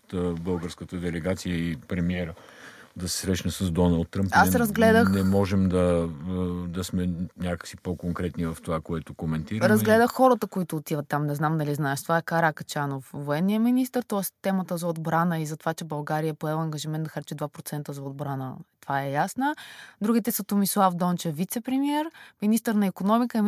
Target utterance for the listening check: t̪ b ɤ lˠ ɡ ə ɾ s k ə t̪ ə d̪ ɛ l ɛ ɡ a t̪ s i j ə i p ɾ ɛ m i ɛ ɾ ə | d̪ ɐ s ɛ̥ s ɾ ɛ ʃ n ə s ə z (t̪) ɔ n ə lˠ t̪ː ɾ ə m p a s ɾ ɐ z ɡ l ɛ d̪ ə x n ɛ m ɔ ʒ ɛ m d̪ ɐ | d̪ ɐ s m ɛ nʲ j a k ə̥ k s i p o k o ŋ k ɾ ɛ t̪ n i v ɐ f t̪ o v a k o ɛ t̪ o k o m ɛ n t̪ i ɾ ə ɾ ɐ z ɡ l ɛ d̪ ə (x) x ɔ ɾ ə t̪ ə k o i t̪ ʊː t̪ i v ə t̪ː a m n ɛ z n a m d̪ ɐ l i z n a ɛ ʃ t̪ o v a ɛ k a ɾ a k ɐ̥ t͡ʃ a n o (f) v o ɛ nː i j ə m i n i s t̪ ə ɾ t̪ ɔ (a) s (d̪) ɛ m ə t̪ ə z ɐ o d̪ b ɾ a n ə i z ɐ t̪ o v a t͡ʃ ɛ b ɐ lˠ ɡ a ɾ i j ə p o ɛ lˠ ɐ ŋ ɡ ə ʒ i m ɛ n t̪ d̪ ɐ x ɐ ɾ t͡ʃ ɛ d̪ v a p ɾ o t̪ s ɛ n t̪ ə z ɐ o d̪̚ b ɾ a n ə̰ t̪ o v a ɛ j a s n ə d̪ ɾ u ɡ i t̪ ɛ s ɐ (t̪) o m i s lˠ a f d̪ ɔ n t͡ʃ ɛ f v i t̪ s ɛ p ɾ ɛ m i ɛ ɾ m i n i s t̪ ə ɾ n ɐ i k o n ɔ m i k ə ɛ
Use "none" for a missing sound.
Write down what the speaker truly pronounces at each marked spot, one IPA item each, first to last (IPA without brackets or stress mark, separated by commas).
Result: d̪, x, f, ɛ, t̪, t̪